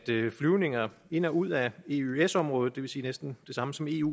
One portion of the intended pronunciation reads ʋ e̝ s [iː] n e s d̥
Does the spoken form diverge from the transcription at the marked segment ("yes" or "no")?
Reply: no